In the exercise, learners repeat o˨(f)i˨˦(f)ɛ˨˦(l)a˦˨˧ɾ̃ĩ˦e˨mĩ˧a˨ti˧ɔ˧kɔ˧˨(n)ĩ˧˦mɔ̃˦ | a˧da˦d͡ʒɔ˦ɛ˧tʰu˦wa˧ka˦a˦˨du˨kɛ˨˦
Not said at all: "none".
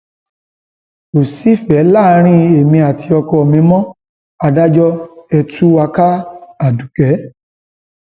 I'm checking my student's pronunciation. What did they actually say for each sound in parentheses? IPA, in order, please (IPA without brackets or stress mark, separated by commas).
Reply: s, f, l, m